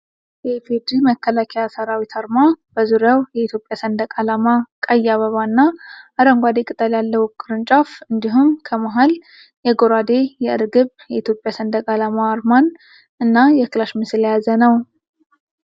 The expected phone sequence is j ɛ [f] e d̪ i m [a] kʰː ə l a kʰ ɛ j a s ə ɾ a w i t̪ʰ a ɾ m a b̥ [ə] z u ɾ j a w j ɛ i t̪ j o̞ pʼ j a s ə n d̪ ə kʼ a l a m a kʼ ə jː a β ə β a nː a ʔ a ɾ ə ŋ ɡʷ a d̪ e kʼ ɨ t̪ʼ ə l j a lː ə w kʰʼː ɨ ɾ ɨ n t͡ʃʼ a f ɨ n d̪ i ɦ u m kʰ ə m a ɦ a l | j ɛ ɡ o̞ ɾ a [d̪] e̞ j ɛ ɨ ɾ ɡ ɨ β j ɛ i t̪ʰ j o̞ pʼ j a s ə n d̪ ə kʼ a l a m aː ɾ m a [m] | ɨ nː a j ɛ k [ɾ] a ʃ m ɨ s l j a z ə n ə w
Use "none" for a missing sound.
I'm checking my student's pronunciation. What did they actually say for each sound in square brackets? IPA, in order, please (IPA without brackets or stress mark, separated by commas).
f, ə, ə, d̪, n, l